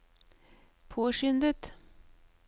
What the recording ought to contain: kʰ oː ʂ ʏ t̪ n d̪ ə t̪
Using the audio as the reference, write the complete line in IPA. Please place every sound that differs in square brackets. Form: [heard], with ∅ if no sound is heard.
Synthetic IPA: [pʰ] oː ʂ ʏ [∅] n d̪ ə t̪